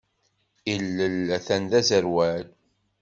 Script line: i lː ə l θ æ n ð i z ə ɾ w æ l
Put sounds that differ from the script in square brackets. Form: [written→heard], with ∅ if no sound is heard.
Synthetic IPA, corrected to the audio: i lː ə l θ æ n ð [i→æ] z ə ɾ w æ l

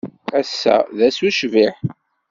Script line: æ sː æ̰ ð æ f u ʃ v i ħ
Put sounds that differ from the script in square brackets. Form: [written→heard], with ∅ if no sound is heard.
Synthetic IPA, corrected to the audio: æ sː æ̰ ð æ [f→s] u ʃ v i ħ

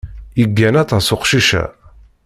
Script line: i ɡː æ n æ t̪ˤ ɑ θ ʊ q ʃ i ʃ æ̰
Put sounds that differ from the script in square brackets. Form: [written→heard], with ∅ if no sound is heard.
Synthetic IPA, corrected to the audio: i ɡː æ n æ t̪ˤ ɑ [θ→s] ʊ q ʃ i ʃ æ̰

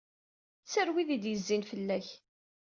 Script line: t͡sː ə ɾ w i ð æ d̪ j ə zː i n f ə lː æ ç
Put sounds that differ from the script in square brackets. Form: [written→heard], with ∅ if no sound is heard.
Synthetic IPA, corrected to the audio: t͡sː ə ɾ w i ð [æ→i] d̪ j ə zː i n f ə lː æ ç

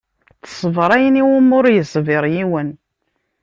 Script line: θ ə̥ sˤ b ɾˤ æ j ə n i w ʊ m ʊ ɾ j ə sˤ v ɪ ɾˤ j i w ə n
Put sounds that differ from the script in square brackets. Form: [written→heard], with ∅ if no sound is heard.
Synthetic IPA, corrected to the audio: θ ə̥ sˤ [b→v] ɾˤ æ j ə n i w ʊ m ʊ ɾ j ə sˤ v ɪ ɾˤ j i w ə n

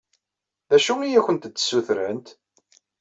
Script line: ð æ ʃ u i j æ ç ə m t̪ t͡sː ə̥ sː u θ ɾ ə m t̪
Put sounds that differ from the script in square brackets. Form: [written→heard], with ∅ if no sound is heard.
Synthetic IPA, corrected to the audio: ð æ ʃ u i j æ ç ə [m→n] t̪ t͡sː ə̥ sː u θ ɾ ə [m→n] t̪

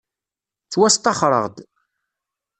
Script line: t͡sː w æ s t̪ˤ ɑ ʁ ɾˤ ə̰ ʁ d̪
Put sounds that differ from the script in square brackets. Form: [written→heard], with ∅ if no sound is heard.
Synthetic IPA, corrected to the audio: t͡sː w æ s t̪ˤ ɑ [ʁ→χ] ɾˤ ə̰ ʁ d̪

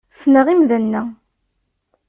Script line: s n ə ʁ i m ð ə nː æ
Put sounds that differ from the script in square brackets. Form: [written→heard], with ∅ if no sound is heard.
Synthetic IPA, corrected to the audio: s n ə ʁ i m ð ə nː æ

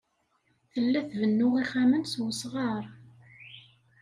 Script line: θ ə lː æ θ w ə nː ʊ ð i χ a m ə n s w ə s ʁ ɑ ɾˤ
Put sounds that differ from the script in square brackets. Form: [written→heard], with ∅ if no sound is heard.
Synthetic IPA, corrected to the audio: θ ə lː æ θ [w→v] ə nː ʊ [ð→ʁ] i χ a m ə n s w ə s ʁ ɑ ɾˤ

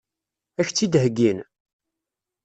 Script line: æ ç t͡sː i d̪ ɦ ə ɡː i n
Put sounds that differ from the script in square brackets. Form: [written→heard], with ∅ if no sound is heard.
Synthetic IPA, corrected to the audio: æ ç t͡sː i d̪ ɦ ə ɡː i n

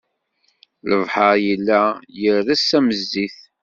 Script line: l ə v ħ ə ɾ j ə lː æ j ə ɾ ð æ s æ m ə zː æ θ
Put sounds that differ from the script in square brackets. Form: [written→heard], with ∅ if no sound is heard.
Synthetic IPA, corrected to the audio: l ə v ħ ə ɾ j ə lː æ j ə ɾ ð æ s æ m ə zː [æ→i] θ

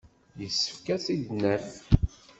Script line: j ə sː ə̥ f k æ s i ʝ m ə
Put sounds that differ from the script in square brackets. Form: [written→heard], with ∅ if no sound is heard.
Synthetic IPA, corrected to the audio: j ə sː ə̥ f k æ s i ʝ [m→n] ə

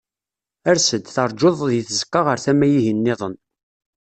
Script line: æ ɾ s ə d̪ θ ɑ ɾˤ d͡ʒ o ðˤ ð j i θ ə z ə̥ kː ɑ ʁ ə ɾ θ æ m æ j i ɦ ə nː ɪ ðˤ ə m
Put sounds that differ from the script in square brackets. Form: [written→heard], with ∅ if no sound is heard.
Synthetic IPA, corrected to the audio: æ ɾ s ə d̪ θ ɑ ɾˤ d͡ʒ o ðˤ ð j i θ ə z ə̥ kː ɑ ʁ ə ɾ θ æ m æ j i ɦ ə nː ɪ ðˤ ə [m→n]

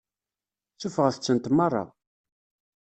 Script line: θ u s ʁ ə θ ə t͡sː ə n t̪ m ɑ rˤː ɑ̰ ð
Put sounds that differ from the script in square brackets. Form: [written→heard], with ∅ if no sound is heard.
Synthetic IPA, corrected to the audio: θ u [s→f] ʁ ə θ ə t͡sː ə n t̪ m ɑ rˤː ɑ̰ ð

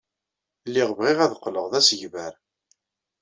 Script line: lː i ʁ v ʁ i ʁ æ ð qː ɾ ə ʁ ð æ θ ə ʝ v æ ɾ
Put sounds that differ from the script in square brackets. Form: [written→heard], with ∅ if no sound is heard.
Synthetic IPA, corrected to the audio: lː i ʁ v ʁ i ʁ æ ð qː [ɾ→l] ə ʁ ð æ [θ→s] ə ʝ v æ ɾ

